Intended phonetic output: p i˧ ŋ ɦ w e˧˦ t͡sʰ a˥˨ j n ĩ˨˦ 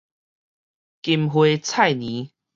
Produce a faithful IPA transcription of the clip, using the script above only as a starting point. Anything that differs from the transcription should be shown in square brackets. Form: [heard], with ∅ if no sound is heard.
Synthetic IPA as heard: [k] i˧ [m] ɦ w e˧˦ t͡sʰ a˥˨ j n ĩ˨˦